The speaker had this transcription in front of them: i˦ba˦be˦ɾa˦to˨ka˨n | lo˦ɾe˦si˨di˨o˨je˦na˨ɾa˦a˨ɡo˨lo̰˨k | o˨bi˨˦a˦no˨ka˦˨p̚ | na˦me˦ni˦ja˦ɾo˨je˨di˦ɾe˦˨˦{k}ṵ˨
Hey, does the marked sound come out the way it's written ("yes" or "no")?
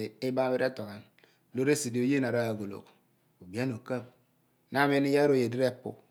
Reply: no